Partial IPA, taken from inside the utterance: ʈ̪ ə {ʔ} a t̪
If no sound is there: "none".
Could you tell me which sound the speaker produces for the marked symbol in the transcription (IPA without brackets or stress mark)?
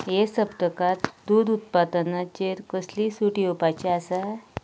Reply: k